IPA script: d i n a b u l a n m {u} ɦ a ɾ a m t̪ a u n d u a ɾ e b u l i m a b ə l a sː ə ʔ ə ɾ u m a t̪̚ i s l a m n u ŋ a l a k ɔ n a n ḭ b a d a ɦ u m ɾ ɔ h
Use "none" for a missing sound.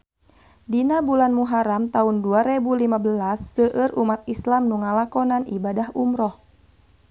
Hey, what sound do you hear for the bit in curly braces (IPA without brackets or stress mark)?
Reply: u